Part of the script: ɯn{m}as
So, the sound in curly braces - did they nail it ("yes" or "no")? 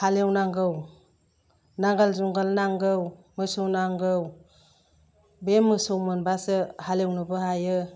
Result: no